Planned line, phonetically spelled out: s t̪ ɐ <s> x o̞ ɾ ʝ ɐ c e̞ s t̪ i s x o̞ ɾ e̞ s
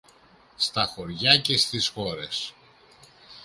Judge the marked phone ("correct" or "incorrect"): incorrect